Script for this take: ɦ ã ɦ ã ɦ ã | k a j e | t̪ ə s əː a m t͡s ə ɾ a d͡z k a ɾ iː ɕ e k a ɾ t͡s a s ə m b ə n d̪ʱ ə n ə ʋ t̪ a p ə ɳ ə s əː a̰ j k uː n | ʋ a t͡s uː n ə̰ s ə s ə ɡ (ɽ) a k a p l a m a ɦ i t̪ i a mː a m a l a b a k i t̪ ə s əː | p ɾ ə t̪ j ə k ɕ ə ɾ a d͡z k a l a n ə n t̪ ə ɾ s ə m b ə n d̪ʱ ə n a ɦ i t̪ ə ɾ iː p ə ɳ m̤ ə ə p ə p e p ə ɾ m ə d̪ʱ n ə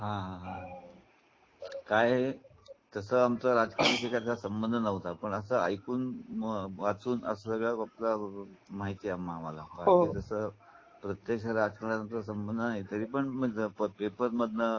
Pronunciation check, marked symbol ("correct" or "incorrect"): incorrect